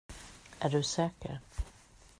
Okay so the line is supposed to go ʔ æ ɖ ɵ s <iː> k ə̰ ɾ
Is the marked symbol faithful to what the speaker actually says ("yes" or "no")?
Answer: no